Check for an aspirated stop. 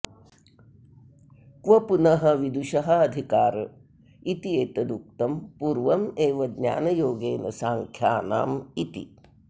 present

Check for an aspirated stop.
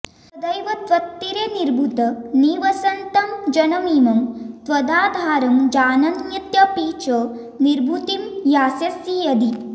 absent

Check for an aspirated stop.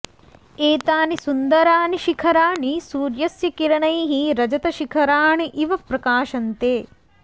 present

